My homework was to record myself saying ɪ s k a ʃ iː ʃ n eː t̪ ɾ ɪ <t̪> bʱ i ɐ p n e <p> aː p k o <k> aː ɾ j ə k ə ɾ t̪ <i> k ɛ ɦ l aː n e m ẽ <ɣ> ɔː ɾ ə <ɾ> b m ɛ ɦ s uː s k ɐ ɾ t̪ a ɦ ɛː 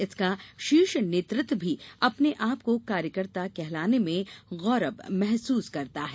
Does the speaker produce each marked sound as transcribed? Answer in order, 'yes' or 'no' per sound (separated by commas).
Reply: yes, no, yes, no, yes, no